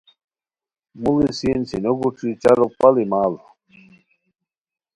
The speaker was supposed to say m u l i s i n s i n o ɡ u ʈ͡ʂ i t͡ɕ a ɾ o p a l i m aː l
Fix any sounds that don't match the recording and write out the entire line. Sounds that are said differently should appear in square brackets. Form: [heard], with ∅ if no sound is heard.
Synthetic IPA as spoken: m u l i s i n s i n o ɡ u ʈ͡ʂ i t͡ɕ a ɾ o p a l i m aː l